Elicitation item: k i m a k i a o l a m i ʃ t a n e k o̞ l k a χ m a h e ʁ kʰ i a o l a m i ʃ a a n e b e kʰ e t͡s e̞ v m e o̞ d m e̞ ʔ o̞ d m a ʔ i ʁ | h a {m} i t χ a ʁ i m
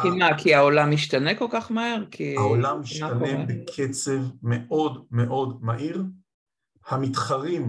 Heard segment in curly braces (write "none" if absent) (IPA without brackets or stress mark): m